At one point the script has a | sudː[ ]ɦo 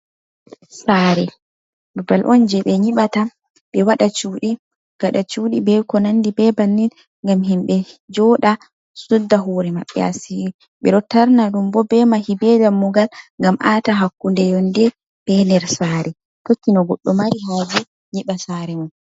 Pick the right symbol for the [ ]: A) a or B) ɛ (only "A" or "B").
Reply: A